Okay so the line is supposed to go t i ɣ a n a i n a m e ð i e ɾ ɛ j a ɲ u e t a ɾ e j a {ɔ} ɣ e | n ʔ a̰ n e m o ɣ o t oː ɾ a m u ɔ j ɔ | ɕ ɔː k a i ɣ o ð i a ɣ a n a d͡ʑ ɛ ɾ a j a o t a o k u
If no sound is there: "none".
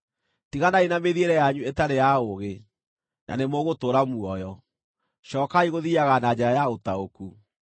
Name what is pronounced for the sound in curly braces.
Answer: o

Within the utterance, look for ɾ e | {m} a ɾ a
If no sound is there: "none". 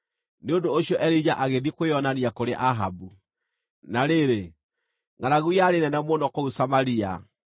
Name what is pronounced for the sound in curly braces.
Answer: ŋ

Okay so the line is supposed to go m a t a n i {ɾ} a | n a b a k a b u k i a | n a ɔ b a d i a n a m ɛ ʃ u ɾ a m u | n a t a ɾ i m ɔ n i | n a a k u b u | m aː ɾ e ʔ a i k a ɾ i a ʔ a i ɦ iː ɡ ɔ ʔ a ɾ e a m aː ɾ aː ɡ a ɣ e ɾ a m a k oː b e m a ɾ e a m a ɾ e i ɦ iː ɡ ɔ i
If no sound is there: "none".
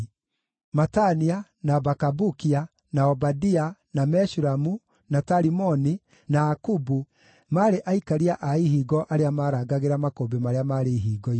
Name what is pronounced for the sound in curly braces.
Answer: none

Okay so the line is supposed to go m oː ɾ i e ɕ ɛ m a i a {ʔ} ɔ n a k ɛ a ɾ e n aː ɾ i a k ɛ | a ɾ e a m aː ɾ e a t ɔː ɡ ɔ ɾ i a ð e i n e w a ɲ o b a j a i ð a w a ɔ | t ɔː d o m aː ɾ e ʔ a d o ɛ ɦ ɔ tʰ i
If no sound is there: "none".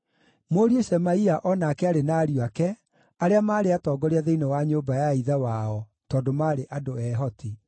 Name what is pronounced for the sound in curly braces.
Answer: ʔ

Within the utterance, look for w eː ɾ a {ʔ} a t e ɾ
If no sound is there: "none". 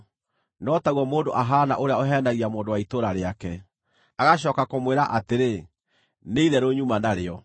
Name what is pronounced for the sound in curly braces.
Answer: ʔ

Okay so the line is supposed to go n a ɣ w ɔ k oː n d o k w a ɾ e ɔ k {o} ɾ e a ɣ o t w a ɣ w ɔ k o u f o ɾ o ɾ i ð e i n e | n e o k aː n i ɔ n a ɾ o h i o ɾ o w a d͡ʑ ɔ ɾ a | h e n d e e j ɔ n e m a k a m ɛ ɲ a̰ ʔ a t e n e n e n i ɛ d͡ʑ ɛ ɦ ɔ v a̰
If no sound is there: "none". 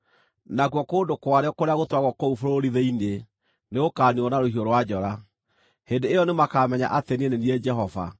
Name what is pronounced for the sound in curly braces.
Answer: o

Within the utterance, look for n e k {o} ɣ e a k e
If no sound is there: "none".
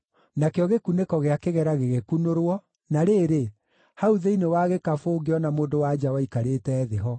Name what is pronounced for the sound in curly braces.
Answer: ɔ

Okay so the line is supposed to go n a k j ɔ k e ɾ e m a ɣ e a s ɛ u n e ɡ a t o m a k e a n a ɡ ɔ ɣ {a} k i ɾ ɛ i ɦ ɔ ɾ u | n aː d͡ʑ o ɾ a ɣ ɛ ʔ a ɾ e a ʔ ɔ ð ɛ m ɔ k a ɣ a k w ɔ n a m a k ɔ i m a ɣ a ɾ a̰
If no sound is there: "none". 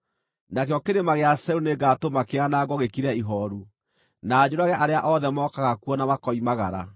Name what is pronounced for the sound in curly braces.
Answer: e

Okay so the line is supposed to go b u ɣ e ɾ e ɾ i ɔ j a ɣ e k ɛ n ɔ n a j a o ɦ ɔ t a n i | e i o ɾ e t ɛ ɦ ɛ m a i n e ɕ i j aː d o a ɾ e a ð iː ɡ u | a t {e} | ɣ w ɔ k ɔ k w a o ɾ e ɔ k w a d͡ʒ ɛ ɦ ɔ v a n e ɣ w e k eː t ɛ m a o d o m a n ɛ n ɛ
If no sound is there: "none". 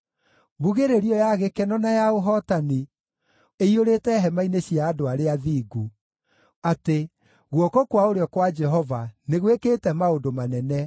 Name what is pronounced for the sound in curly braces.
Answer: e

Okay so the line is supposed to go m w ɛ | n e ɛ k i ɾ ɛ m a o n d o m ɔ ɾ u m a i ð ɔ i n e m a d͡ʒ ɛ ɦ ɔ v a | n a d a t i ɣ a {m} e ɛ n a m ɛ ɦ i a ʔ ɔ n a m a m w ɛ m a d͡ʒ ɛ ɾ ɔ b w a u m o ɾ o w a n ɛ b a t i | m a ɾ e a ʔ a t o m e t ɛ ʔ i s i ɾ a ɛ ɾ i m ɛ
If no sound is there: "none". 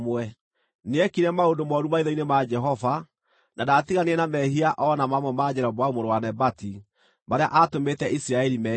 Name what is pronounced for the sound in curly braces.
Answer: n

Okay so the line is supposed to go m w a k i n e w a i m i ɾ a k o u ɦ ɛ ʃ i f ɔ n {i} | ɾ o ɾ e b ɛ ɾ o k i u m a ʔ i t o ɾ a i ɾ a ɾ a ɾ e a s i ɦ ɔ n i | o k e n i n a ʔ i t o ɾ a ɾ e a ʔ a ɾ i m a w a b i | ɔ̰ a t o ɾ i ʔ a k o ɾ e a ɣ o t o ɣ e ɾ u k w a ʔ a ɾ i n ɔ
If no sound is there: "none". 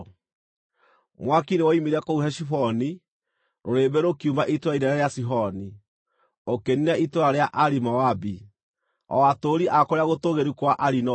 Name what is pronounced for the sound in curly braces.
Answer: i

